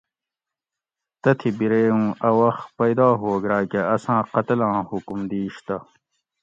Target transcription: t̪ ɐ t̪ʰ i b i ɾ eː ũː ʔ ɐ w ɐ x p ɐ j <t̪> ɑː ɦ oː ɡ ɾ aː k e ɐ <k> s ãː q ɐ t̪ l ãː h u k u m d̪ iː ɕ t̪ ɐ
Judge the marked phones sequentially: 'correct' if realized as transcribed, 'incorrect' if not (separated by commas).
incorrect, incorrect